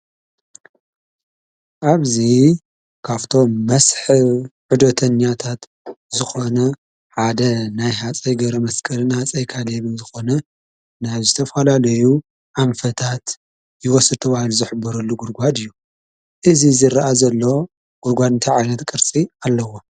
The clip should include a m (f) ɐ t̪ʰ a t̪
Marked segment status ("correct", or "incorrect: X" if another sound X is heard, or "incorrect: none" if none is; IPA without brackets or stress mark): correct